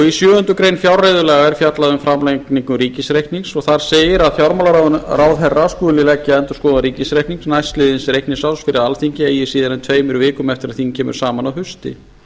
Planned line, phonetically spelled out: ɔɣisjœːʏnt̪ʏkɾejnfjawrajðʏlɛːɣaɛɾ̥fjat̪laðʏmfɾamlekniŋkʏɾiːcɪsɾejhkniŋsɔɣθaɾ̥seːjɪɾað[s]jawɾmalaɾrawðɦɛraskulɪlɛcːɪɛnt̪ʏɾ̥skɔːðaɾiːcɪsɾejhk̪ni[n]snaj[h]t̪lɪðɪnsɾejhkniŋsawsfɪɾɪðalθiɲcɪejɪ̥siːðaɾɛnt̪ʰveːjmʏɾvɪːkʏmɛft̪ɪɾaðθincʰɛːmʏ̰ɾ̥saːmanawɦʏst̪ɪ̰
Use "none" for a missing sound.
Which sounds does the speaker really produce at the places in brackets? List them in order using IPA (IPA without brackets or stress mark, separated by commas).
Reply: f, ŋ, s